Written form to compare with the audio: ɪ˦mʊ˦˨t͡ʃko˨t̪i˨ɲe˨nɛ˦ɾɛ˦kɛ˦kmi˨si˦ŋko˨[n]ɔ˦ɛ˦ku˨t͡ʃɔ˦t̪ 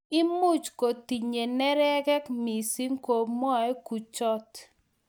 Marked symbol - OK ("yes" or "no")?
no